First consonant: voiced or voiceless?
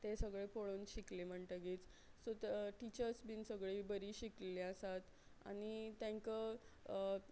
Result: voiceless